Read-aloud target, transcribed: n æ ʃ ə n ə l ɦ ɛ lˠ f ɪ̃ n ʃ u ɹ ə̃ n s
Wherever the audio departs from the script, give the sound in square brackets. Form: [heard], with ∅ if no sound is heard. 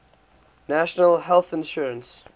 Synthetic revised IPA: n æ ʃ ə n ə l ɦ ɛ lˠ [θ] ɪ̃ n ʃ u ɹ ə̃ n s